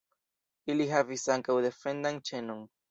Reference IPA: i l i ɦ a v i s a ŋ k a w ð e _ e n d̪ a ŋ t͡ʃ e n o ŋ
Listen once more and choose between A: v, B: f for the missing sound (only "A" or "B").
B